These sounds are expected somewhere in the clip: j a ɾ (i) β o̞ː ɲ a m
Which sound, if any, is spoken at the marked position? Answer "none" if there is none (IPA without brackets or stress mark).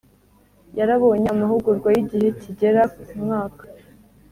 a